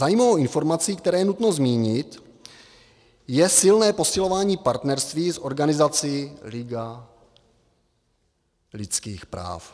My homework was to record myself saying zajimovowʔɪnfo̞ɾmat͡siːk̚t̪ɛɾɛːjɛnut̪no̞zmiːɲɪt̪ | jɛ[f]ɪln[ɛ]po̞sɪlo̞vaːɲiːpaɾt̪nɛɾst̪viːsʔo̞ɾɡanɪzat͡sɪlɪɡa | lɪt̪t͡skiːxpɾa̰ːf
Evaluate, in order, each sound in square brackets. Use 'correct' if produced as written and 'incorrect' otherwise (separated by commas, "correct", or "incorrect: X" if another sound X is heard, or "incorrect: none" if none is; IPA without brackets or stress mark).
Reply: incorrect: s, incorrect: ɛː